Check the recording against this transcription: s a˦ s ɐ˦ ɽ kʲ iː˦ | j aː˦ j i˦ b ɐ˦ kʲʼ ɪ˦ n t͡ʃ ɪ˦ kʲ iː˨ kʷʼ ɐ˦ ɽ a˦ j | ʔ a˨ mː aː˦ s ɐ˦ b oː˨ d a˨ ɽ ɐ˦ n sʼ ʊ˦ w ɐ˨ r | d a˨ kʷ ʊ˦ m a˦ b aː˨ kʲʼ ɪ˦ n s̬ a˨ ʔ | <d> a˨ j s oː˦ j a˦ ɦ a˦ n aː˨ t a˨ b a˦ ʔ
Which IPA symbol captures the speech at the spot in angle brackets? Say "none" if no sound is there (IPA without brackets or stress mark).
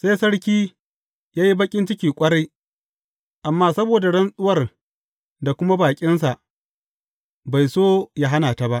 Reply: b